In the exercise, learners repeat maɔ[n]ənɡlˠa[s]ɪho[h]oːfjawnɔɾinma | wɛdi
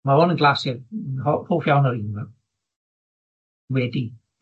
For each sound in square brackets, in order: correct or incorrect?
correct, correct, correct

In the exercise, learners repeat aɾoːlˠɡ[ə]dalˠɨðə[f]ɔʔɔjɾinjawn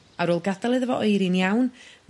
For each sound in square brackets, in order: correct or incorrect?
incorrect, incorrect

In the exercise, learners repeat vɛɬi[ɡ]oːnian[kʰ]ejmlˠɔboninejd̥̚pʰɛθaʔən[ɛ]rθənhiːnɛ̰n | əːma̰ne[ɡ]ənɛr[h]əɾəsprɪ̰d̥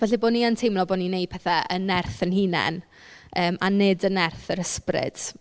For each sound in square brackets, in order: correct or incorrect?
incorrect, incorrect, correct, incorrect, incorrect

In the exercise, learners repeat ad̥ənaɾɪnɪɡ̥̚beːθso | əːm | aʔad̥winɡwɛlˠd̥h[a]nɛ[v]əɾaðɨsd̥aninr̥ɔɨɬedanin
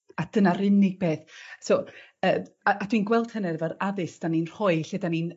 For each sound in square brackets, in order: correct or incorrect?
incorrect, correct

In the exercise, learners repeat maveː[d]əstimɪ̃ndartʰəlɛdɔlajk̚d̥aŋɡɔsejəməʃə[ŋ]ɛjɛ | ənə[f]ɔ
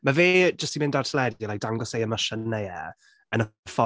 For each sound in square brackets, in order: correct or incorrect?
incorrect, incorrect, correct

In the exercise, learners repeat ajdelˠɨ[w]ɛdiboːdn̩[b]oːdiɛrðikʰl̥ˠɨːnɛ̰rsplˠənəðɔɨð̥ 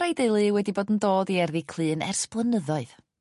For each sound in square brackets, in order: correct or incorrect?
correct, incorrect

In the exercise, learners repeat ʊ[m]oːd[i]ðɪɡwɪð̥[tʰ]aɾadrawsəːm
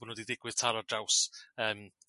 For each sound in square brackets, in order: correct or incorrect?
incorrect, correct, correct

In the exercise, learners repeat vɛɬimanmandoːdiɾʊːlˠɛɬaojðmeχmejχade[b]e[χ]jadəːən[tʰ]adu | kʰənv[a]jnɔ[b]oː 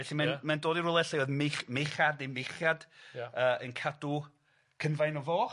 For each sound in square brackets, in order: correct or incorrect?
incorrect, correct, incorrect, correct, incorrect

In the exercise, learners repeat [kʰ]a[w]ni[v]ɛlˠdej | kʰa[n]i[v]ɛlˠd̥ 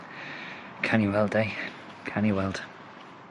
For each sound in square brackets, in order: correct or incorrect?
correct, incorrect, incorrect, correct, incorrect

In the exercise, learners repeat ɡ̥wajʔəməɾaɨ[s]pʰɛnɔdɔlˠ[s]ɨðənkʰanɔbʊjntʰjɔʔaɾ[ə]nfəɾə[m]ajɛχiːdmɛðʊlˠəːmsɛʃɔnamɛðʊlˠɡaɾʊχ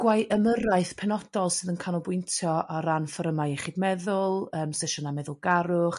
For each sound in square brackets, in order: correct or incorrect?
incorrect, correct, incorrect, correct

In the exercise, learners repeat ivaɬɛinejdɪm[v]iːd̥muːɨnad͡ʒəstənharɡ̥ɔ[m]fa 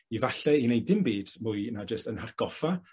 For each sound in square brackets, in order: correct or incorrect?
incorrect, incorrect

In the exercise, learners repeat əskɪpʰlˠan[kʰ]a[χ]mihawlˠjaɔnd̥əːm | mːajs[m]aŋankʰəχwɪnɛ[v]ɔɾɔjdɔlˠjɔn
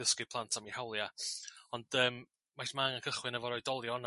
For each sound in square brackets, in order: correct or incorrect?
incorrect, incorrect, correct, correct

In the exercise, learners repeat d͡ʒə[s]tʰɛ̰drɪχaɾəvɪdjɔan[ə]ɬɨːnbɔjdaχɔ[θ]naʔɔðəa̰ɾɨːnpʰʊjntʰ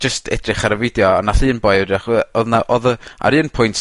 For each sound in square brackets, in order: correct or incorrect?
correct, incorrect, incorrect

